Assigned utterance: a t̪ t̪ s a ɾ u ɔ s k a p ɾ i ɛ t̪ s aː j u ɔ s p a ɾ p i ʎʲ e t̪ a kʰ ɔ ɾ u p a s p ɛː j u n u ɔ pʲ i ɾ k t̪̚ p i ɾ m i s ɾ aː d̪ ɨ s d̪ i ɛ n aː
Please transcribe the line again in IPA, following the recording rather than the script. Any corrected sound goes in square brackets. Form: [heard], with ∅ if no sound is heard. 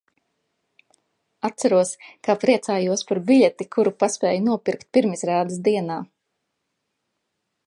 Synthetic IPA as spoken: a t̪ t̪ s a ɾ u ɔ s k a p ɾ i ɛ t̪ s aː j u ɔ s p a ɾ [b] i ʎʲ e t̪ [i] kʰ [u] ɾ u p a s p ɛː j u n u ɔ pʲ i ɾ k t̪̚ p i ɾ m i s ɾ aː d̪ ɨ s d̪ i ɛ n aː